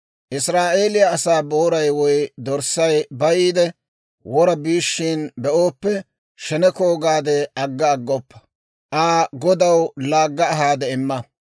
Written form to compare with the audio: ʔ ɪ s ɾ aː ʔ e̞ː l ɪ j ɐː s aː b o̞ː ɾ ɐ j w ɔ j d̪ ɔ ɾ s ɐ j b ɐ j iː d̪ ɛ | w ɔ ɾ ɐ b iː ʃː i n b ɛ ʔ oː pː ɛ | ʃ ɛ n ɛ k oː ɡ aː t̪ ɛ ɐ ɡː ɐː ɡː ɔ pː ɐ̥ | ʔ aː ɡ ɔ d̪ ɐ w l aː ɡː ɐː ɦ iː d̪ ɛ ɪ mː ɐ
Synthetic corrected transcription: ʔ ɪ s ɾ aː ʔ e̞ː l ɪ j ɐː s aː b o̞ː ɾ ɐ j w ɔ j d̪ ɔ ɾ s ɐ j b ɐ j iː d̪ ɛ | w ɔ ɾ ɐ b iː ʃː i n b ɛ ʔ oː pː ɛ | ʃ ɛ n ɛ k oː ɡ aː d̪ ɛ ɐ ɡː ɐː ɡː ɔ pː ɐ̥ | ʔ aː ɡ ɔ d̪ ɐ w l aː ɡː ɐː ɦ aː d̪ ɛ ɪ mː ɐ